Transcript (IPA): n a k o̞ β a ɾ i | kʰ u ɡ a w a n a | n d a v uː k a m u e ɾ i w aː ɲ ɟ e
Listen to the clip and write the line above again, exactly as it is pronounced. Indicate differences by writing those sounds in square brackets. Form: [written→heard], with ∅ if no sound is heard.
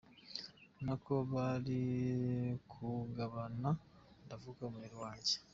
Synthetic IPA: n a k o̞ β a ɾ i | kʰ u ɡ a [w→β] a n a | n d a v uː k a m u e ɾ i w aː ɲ ɟ e